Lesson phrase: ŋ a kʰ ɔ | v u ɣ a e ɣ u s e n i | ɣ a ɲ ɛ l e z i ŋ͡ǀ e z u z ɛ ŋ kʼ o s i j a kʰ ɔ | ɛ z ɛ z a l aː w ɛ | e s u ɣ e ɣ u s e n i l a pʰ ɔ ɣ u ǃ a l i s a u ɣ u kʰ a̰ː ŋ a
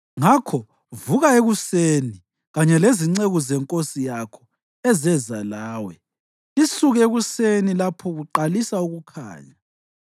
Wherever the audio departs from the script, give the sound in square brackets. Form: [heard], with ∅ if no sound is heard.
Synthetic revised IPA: ŋ a kʰ ɔ | v u ɣ a e ɣ u s e n i | ɣ a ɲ ɛ l e z i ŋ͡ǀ e [ɣ] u z ɛ ŋ kʼ o s i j a kʰ ɔ | ɛ z ɛ z a l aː w ɛ | [i] s u ɣ e ɣ u s e n i l a pʰ ɔ ɣ u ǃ a l i s a u ɣ u kʰ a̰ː [ɲ] a